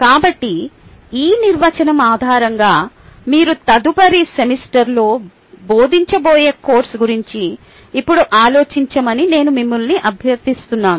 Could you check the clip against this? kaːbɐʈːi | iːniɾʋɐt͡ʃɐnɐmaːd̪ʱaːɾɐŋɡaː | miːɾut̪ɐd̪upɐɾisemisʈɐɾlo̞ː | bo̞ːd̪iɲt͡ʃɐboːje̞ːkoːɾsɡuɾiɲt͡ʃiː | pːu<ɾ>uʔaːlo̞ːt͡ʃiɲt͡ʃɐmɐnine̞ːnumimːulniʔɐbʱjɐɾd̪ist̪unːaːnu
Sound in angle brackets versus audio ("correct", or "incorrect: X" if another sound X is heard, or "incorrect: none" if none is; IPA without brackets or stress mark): incorrect: ɽ